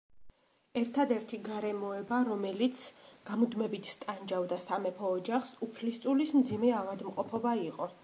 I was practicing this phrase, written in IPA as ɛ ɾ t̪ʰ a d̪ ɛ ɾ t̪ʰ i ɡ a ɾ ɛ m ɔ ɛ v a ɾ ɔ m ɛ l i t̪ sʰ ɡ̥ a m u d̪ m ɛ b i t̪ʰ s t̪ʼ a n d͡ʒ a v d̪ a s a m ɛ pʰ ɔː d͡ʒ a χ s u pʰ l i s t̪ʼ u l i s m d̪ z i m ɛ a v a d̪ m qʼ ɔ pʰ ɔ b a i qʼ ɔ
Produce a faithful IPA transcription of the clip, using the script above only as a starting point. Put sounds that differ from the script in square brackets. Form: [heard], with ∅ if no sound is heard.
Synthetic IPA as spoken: ɛ ɾ t̪ʰ a d̪ ɛ ɾ t̪ʰ i ɡ a ɾ ɛ m ɔ ɛ [b] a ɾ ɔ m ɛ l i t̪ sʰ ɡ̥ a m u d̪ m ɛ b i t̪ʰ s t̪ʼ a n d͡ʒ a v d̪ a s a m ɛ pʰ ɔː d͡ʒ a χ s u pʰ l i s t̪ʼ u l i s m d̪ z i m ɛ a v a d̪ m qʼ ɔ pʰ ɔ b a i qʼ ɔ

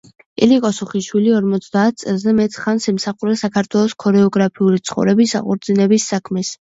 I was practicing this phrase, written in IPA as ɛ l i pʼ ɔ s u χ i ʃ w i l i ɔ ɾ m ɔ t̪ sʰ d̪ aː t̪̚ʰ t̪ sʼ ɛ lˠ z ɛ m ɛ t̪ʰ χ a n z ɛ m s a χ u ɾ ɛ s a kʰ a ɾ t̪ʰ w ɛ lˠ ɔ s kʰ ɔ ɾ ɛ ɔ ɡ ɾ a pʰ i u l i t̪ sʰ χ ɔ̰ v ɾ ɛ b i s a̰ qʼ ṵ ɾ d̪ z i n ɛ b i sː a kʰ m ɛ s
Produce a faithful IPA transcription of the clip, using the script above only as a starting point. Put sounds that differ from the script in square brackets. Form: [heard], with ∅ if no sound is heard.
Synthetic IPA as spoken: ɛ l i [kʼ] ɔ s u χ i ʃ w i l i ɔ ɾ m ɔ t̪ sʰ d̪ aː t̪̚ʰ t̪ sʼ ɛ lˠ z ɛ m ɛ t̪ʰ χ a n [s] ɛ m s a χ u ɾ ɛ s a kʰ a ɾ t̪ʰ w ɛ lˠ ɔ s kʰ ɔ ɾ ɛ ɔ ɡ ɾ a pʰ i u l i t̪ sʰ χ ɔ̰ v ɾ ɛ b i s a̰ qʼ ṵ ɾ d̪ z i n ɛ b i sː a kʰ m ɛ s

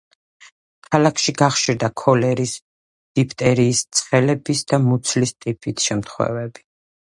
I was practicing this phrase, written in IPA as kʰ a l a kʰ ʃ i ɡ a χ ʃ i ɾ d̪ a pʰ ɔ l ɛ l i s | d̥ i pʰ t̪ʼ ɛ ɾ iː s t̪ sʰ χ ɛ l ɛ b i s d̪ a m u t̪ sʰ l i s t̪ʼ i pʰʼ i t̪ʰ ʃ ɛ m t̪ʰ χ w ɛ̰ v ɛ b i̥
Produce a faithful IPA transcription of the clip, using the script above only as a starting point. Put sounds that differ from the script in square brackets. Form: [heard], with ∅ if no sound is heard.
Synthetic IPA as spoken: kʰ a l a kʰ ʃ i ɡ a χ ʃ i ɾ d̪ a [kʰ] ɔ l ɛ [ɾ] i s | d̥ i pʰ t̪ʼ ɛ ɾ iː s t̪ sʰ χ ɛ l ɛ b i s d̪ a m u t̪ sʰ l i s t̪ʼ i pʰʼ i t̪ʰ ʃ ɛ m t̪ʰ χ w ɛ̰ v ɛ b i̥

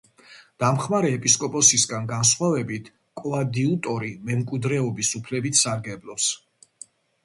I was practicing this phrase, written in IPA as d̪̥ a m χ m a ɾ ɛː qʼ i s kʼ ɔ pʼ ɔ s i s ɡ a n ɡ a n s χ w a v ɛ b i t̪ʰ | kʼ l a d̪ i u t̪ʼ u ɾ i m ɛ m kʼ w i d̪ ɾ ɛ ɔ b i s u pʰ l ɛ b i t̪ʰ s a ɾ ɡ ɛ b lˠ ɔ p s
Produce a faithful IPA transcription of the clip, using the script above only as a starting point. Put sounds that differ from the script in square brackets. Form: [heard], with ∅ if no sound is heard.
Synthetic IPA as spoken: d̪̥ a m χ m a ɾ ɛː [pʼ] i s kʼ ɔ pʼ ɔ s i s ɡ a n ɡ a n s χ w a v ɛ b i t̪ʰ | kʼ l a d̪ i u t̪ʼ [ɔ] ɾ i m ɛ m kʼ w i d̪ ɾ ɛ ɔ b i s u pʰ l ɛ b i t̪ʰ s a ɾ ɡ ɛ b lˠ ɔ p s

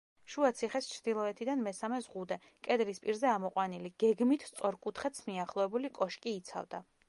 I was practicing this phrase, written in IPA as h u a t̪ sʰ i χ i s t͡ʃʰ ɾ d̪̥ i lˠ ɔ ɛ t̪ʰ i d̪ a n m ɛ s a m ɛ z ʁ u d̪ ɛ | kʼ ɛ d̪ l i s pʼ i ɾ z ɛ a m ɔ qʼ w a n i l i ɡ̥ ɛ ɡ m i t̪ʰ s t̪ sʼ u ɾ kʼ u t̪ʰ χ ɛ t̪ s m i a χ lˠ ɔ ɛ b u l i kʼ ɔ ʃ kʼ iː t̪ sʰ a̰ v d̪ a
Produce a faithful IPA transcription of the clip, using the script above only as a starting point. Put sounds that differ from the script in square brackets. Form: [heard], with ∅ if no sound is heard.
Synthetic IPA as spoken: [ʃ] u a t̪ sʰ i χ [ɛ] s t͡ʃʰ ɾ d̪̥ i lˠ ɔ ɛ t̪ʰ i d̪ a n m ɛ s a m ɛ z ʁ u d̪ ɛ | kʼ ɛ d̪ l i s pʼ i ɾ z ɛ a m ɔ qʼ w a n i l i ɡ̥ ɛ ɡ m i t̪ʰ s t̪ sʼ [ɔ] ɾ kʼ u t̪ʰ χ ɛ t̪ s m i a χ lˠ ɔ ɛ b u l i kʼ ɔ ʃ kʼ iː t̪ sʰ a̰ v d̪ a

